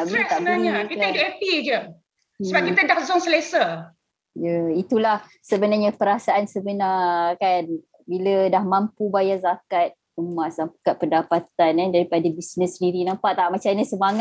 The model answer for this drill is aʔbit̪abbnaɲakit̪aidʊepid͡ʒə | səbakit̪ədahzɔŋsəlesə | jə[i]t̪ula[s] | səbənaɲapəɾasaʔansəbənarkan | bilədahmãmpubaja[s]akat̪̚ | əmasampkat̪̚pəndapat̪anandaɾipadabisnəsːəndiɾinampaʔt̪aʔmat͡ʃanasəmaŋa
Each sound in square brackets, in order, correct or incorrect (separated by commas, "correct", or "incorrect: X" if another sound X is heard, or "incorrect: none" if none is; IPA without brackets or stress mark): correct, incorrect: h, incorrect: z